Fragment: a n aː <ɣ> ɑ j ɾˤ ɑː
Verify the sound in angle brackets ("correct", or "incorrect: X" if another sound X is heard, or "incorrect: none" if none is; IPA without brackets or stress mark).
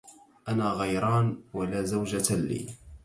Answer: correct